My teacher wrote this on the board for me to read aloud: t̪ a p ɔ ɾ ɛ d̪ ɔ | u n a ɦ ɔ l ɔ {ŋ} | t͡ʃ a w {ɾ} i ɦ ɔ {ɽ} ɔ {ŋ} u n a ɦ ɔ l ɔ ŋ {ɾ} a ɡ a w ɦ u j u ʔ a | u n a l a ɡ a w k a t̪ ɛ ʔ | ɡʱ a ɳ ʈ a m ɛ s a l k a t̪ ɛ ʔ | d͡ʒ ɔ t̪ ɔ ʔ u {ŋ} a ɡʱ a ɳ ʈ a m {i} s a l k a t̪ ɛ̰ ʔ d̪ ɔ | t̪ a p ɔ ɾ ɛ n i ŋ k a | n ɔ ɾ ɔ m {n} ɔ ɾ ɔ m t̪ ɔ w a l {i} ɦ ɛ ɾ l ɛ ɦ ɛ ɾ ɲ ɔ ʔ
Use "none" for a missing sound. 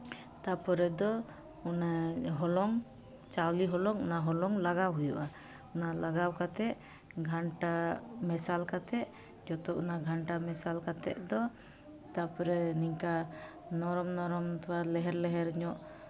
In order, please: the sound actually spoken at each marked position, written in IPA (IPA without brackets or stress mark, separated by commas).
ŋ, l, l, ŋ, l, n, ɛ, n, ɛ